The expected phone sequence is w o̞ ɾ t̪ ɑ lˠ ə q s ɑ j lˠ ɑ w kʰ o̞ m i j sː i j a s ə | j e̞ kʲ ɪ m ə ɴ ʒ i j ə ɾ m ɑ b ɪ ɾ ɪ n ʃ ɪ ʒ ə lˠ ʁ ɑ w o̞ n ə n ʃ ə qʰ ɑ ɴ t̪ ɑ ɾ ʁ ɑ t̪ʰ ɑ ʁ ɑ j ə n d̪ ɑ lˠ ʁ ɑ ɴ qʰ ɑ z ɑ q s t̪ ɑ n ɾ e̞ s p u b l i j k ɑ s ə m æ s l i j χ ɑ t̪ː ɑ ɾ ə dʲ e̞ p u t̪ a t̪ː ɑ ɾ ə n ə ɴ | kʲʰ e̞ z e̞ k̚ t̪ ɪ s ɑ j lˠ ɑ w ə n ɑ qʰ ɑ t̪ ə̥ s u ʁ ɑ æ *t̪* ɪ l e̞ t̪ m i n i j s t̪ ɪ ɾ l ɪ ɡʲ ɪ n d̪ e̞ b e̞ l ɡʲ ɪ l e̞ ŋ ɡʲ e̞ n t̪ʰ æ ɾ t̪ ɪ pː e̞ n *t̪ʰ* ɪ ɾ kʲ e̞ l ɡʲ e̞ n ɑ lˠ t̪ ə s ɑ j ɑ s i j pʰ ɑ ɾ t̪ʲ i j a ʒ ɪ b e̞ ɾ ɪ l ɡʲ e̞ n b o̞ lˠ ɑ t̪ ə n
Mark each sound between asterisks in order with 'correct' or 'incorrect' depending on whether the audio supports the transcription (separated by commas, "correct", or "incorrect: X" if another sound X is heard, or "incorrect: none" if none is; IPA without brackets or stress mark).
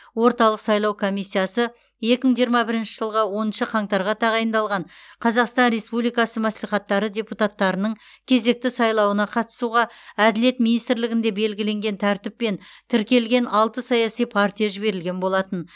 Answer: incorrect: d̪, correct